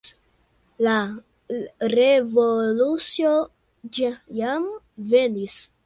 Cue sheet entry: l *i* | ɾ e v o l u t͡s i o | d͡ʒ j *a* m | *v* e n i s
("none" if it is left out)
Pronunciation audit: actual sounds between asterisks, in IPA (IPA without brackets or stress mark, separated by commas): a, a, v